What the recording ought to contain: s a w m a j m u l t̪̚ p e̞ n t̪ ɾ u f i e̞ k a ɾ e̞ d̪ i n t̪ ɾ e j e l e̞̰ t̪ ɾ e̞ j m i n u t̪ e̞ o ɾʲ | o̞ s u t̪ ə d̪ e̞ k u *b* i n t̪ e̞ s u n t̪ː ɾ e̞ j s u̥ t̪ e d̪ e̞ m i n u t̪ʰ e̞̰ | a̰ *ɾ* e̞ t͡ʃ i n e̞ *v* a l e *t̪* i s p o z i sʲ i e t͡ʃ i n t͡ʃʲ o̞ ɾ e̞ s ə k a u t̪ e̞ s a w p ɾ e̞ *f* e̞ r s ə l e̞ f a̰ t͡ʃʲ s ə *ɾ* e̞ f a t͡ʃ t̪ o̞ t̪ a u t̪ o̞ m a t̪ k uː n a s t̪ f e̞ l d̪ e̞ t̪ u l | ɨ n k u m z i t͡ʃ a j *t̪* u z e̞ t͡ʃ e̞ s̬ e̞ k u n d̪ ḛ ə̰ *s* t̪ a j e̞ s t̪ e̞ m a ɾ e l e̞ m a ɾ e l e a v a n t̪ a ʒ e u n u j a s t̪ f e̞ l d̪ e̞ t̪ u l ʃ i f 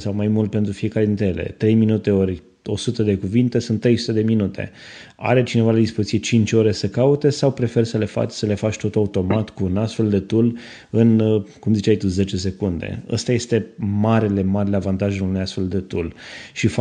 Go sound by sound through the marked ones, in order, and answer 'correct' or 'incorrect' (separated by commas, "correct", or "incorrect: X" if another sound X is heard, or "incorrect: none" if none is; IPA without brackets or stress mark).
incorrect: v, correct, correct, incorrect: d̪, correct, incorrect: l, correct, correct